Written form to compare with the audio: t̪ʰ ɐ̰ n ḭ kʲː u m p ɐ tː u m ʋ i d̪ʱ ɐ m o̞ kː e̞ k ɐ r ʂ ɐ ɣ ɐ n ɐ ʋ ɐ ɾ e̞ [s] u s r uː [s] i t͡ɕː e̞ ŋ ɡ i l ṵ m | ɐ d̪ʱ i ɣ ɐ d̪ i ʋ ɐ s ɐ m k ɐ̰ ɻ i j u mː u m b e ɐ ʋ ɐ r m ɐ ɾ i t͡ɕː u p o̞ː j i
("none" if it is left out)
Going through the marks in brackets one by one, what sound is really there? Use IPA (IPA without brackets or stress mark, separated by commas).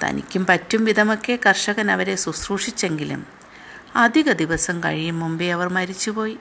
s, ʂ